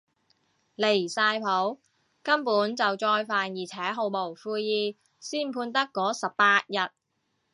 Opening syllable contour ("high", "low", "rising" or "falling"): low